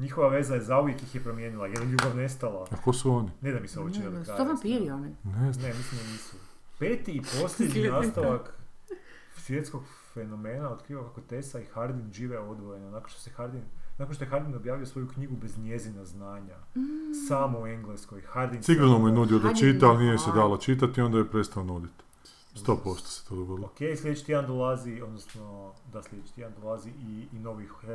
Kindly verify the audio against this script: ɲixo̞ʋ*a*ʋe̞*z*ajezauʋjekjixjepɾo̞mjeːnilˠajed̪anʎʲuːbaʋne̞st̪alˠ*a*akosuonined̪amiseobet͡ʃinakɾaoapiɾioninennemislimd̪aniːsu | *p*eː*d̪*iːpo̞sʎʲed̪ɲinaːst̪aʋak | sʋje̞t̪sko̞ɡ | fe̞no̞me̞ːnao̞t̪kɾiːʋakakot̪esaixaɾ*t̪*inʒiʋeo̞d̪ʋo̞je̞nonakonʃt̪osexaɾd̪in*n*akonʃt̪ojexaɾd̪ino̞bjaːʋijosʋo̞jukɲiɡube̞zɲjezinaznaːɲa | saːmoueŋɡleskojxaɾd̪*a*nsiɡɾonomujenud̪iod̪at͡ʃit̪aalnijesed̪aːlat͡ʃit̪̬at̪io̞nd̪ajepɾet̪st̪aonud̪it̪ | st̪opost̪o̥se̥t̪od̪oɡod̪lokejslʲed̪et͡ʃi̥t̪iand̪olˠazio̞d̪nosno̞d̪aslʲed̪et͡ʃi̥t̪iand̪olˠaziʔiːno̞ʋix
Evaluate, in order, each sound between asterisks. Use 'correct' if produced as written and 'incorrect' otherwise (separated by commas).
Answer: correct, correct, correct, correct, incorrect, incorrect, correct, incorrect